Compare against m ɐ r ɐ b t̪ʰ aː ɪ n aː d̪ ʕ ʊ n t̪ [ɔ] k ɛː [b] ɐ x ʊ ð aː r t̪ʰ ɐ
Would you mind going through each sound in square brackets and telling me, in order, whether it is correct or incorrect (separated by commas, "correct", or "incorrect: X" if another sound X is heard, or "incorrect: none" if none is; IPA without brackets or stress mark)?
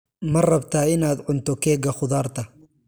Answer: correct, incorrect: ɡ